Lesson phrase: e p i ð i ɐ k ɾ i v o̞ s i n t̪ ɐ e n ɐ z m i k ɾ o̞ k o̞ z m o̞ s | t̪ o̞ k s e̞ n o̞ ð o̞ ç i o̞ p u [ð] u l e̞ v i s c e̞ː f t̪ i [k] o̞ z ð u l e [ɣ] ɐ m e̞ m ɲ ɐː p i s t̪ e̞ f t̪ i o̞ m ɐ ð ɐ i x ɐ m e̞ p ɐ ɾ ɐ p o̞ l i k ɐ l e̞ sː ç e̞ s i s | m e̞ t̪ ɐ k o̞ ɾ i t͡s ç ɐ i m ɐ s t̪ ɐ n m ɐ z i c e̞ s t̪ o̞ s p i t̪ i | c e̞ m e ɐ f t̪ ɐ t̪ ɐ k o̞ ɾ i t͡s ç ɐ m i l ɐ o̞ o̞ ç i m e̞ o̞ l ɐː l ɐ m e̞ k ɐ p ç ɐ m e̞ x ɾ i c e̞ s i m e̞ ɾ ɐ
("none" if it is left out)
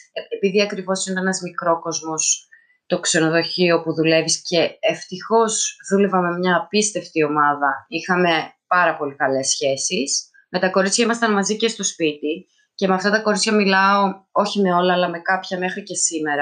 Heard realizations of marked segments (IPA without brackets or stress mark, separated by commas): ð, x, v